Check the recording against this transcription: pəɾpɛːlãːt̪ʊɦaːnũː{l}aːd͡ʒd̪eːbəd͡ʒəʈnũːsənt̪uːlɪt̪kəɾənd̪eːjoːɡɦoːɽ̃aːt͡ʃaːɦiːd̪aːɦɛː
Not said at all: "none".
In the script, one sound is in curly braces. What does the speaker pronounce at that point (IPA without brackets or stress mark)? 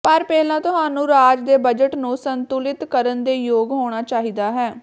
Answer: ɾ